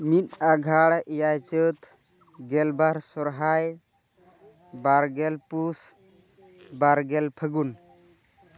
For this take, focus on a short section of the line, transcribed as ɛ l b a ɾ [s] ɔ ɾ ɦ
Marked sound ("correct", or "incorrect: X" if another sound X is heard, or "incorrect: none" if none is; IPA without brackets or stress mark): correct